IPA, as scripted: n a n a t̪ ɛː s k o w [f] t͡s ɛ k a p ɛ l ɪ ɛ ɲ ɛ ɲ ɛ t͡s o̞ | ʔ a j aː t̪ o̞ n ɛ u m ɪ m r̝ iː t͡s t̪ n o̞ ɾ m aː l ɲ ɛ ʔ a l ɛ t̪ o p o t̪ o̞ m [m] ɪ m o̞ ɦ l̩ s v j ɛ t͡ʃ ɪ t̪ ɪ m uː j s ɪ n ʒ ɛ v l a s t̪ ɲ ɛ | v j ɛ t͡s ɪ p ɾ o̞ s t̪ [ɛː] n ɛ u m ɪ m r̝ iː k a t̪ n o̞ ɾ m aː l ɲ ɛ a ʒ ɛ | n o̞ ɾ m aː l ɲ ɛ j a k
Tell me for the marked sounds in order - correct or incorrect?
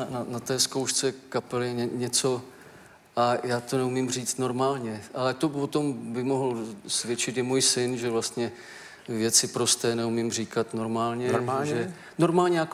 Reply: incorrect, incorrect, correct

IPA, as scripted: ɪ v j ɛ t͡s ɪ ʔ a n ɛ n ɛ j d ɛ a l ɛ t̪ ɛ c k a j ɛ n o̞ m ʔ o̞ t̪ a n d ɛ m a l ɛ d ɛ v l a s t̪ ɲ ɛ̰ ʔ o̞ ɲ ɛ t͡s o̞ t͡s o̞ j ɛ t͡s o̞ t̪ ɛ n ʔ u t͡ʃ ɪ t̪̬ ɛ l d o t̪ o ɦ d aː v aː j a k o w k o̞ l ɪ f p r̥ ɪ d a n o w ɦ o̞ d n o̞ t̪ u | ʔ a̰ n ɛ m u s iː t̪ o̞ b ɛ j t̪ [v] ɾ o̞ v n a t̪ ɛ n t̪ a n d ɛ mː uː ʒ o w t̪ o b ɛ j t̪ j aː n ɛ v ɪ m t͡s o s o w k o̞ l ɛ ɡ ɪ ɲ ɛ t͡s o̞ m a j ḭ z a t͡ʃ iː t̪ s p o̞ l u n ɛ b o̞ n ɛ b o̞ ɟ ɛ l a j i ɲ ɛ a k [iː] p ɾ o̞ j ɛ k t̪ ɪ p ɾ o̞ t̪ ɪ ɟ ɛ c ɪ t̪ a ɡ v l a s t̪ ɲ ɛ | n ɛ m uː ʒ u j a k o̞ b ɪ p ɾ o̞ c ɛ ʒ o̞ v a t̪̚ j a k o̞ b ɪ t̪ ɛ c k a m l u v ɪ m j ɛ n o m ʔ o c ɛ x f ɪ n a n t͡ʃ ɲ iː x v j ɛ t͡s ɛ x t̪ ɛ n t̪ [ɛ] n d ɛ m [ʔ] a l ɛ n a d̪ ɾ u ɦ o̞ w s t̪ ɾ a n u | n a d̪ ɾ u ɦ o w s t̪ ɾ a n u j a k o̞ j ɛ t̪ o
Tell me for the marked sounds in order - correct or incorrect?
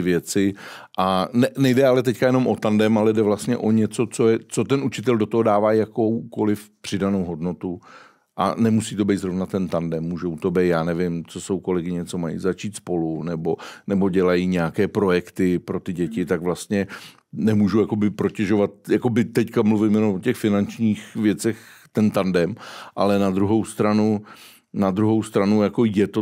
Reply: incorrect, incorrect, incorrect, correct

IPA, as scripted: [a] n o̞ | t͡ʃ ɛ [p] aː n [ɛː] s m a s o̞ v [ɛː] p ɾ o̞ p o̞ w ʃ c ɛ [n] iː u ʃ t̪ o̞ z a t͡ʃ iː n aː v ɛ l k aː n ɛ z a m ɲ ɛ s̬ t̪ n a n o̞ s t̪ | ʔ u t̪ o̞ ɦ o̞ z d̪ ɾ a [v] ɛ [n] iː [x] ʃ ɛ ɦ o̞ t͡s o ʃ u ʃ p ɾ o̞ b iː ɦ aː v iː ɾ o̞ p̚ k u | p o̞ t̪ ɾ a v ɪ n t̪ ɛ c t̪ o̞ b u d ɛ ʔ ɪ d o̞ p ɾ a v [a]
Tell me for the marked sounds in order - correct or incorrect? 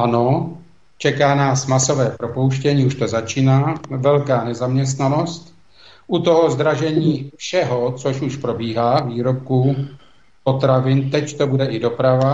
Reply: correct, incorrect, incorrect, correct, incorrect, incorrect, incorrect, incorrect, correct

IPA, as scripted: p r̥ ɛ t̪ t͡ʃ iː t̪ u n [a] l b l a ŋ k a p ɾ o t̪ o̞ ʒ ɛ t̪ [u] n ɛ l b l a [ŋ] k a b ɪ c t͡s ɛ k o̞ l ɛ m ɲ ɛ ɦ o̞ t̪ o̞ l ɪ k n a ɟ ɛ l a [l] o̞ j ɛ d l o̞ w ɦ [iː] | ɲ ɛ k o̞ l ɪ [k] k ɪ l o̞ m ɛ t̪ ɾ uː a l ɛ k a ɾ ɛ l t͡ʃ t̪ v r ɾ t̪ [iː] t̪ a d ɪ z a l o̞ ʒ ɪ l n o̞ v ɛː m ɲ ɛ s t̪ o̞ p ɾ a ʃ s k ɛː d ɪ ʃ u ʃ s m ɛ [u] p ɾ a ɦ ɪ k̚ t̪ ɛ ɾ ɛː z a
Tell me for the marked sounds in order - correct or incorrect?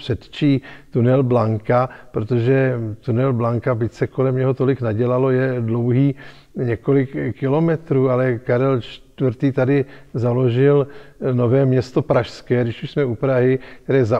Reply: incorrect, correct, correct, correct, correct, correct, correct, correct

